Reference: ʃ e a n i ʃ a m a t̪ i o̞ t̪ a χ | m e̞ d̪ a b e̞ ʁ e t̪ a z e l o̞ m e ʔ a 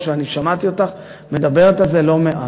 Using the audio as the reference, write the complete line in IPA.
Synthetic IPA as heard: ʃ e a n i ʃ a m a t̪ i o̞ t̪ a χ | m e̞ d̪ a b e̞ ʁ e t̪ a z e l o̞ m e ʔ a